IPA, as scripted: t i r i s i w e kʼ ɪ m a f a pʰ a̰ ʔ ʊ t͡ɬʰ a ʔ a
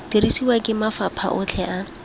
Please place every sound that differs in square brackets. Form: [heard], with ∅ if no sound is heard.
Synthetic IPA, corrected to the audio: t i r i s i w [a] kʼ ɪ m a f a pʰ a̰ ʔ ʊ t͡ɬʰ [ɛ] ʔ a